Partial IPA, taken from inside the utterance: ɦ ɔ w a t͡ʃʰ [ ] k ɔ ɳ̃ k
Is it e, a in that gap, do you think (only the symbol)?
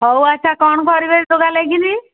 a